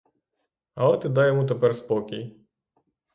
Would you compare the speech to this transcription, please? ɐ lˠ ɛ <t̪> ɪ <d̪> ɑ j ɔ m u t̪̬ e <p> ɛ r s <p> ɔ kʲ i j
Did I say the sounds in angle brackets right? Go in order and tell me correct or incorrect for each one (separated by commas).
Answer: correct, correct, correct, correct